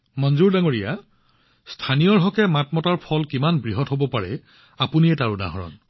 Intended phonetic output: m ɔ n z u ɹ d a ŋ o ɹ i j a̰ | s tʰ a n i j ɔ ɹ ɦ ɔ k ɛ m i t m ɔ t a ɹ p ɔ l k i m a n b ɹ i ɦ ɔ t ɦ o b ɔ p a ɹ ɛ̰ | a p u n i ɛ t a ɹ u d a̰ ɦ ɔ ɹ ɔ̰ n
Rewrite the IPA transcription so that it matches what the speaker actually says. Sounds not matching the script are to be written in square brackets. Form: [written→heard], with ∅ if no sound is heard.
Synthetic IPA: m ɔ n z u ɹ d a ŋ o ɹ i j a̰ | s tʰ a n i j ɔ ɹ ɦ ɔ k ɛ m [i→a] t m ɔ t a ɹ [p→pʰ] ɔ l k i m a n b ɹ i ɦ ɔ t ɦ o b ɔ p a ɹ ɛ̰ | a p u n i ɛ t a ɹ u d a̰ ɦ ɔ ɹ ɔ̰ n